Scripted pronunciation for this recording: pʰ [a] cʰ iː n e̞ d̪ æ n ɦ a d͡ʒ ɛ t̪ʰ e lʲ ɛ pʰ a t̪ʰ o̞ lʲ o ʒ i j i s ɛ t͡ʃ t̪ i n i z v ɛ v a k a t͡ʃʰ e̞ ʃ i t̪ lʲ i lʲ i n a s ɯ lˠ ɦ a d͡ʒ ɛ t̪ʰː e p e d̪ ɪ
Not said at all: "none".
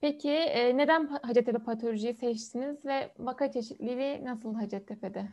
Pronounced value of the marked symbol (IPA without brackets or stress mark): e